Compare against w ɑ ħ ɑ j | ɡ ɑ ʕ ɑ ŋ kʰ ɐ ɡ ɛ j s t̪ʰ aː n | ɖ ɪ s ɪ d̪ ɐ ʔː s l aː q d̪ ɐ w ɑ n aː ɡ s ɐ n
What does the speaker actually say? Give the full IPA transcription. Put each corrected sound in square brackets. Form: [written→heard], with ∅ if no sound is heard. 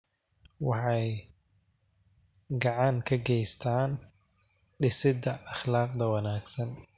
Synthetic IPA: w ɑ ħ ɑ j | ɡ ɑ ʕ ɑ ŋ kʰ ɐ ɡ ɛ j s t̪ʰ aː n | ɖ ɪ s ɪ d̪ ɐ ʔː [s→χ] l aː q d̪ ɐ w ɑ n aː ɡ s ɐ n